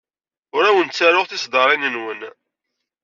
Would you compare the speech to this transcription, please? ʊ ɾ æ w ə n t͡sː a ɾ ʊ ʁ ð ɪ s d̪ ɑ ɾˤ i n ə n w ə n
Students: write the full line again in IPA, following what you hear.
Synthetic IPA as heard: ʊ ɾ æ w ə n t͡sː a ɾ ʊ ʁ θ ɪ s d̪ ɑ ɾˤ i n ə n w ə n